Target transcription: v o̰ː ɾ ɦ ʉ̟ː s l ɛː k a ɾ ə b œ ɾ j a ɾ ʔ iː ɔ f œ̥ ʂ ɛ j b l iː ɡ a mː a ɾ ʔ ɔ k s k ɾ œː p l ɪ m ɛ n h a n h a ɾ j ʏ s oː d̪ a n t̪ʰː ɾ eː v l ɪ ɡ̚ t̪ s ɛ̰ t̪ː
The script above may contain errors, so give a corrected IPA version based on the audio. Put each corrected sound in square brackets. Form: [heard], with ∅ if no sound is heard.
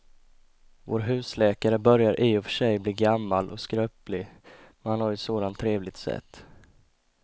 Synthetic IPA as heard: v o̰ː ɾ ɦ ʉ̟ː s l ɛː k a ɾ ə b œ ɾ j a ɾ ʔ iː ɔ f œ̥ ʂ ɛ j b l iː ɡ a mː a [l] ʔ ɔ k s k ɾ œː p l ɪ m ɛ n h a n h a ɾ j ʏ s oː d̪ a n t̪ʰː ɾ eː v l ɪ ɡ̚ t̪ s ɛ̰ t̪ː